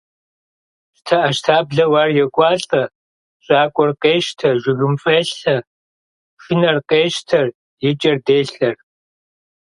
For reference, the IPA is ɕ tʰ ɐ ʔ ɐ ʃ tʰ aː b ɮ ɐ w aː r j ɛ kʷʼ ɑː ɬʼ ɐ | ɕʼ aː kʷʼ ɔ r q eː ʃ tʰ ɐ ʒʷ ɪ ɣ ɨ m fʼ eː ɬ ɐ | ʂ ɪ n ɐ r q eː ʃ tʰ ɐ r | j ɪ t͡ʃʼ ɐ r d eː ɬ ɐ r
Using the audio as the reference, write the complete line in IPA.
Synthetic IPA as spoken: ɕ tʰ ɐ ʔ ɐ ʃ tʰ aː b ɮ ɐ w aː r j ɛ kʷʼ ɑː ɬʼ ɐ | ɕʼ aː kʷʼ ɔ r q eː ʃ tʰ ɐ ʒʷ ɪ ɣ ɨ m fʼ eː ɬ ɐ | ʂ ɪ n ɐ r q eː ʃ tʰ ɐ r | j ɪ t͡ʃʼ ɐ r d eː ɬ ɐ r